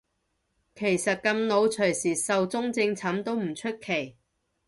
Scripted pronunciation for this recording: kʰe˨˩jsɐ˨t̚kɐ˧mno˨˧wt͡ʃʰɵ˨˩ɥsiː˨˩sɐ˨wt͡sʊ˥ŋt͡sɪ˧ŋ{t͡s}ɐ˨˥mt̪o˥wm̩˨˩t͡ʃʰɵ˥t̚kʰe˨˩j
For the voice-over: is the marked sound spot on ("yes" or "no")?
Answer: no